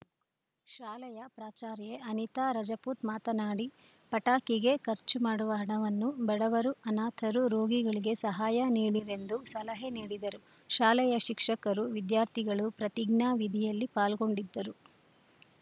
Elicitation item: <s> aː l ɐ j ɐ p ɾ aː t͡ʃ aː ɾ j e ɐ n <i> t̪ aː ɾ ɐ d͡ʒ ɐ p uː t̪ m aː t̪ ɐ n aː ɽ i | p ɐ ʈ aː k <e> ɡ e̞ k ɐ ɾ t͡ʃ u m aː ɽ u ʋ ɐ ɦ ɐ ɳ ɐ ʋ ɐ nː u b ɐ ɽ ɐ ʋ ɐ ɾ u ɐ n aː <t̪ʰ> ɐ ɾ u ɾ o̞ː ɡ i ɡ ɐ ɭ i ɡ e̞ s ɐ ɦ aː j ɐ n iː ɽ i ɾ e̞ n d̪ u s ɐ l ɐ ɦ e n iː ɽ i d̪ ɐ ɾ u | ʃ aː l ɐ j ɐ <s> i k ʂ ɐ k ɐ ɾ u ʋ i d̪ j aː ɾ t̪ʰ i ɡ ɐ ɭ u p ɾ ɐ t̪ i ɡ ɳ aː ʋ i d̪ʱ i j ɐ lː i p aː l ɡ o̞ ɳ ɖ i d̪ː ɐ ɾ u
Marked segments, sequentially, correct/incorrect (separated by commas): incorrect, correct, incorrect, correct, incorrect